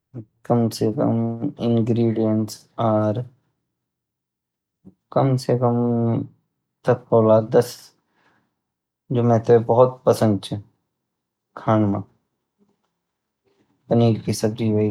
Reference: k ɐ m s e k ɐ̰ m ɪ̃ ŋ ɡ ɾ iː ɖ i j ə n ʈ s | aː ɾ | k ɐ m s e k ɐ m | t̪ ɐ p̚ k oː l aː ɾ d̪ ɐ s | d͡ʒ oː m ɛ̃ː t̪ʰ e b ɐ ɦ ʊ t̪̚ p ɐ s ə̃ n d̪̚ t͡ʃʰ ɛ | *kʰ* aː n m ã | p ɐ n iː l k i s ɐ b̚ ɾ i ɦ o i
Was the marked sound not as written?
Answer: no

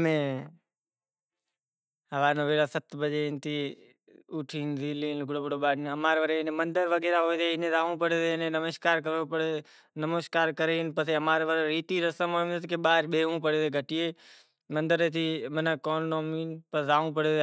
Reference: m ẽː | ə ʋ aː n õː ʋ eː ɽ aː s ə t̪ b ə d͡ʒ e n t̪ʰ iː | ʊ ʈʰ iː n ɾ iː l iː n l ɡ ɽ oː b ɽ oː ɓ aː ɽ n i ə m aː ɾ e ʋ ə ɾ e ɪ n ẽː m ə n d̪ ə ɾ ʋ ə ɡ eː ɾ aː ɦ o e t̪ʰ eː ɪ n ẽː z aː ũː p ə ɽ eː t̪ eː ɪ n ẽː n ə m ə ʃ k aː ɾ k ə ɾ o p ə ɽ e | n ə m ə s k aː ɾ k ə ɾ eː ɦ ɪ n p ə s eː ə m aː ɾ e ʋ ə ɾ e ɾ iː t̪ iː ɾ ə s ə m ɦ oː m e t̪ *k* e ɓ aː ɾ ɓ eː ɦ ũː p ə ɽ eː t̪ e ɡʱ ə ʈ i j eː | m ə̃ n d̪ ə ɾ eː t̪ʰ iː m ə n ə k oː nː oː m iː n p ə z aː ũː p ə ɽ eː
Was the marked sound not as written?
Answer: no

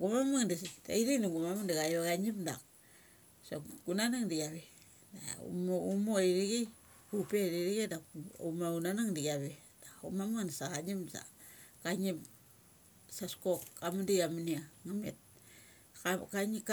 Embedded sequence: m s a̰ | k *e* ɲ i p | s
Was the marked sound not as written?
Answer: yes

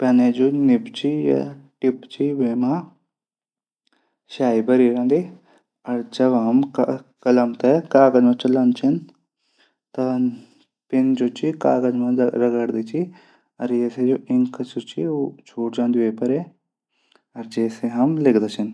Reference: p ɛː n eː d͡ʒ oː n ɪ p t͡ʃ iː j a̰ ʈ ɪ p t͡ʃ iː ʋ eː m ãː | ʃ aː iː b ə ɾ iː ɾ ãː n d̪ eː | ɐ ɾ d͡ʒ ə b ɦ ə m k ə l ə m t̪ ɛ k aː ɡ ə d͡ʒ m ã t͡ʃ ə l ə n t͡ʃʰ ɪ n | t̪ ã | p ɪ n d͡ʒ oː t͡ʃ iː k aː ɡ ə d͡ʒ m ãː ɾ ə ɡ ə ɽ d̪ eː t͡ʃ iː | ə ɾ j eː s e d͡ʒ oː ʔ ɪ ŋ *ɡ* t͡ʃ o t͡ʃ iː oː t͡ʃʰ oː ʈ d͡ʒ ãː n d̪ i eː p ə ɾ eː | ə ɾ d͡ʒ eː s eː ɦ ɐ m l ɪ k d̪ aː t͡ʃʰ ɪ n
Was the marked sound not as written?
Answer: yes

